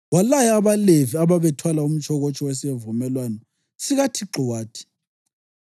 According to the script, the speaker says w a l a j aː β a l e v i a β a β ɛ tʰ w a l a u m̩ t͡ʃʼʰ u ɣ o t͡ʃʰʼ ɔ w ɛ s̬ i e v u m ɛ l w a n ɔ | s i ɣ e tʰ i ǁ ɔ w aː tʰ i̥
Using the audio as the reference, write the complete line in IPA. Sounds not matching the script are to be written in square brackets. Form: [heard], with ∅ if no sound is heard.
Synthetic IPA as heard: w a l a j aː β a l e v i a β a β ɛ tʰ w a l a u m̩ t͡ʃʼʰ [ɔ] ɣ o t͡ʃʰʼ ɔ w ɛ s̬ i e v u m ɛ l w a n ɔ | s i ɣ [a] tʰ i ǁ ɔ w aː tʰ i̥